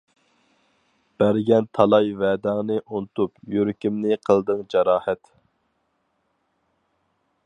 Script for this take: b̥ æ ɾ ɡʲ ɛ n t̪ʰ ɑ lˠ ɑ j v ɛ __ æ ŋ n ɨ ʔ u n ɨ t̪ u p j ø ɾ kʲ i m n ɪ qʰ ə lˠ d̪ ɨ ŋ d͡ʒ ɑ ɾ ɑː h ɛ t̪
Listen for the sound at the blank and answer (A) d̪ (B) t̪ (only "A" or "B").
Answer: A